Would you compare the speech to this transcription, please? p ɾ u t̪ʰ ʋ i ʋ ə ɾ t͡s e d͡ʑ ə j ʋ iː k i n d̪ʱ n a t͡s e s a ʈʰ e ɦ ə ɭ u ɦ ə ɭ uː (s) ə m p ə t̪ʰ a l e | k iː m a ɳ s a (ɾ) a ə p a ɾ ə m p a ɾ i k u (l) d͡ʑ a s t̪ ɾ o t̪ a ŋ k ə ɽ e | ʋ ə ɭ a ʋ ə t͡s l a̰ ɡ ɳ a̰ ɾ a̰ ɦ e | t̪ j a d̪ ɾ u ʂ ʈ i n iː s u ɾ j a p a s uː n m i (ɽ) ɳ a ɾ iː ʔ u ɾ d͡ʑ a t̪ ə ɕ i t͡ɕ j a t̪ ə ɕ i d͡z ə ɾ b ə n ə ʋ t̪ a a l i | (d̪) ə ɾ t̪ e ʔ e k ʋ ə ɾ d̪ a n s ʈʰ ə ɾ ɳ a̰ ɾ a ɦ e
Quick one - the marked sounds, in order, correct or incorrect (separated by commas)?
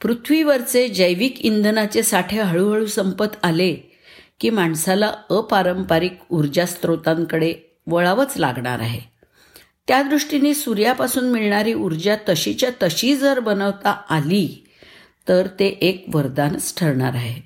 correct, incorrect, incorrect, incorrect, incorrect